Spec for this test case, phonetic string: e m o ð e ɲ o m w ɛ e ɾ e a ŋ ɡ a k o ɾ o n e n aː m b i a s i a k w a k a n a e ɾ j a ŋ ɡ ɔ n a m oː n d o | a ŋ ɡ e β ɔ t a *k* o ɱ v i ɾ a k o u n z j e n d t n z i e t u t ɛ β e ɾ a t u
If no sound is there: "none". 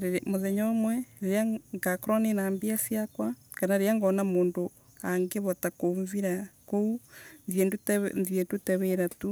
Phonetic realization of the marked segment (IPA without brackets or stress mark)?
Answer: k